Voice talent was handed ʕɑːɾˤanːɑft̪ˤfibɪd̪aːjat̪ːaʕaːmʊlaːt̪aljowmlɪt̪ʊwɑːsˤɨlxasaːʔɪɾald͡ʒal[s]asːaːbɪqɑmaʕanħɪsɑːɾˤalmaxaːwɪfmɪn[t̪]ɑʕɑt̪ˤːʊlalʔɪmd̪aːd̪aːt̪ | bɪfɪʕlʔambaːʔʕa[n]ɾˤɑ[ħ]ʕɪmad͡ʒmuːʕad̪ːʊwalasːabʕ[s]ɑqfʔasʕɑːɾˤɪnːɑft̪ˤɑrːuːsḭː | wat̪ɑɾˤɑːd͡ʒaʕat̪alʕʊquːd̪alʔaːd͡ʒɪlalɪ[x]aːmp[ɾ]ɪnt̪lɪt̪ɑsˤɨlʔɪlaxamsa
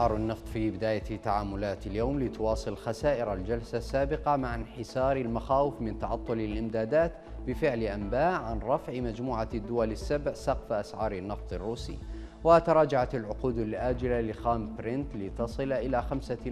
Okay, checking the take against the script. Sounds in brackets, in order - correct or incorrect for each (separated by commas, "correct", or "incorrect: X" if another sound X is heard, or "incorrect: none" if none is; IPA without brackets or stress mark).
correct, correct, correct, incorrect: f, correct, correct, correct